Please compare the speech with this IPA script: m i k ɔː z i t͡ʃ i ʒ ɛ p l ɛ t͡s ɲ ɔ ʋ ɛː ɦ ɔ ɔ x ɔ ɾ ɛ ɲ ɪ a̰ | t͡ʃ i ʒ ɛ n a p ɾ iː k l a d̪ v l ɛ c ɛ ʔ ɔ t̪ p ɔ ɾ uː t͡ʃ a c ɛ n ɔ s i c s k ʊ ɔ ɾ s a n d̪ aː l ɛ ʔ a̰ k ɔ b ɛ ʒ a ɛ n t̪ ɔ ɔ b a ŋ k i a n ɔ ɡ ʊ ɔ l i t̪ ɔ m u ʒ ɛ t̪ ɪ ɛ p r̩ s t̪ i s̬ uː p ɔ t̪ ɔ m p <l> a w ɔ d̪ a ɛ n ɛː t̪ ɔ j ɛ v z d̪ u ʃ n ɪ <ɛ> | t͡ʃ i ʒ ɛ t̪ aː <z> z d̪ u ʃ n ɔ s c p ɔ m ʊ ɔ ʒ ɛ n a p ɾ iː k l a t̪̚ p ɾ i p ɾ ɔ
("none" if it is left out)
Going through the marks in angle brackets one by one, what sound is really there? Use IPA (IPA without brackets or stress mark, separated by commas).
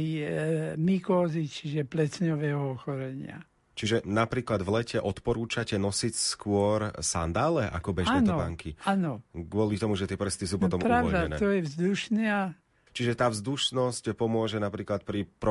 ɾ, a, v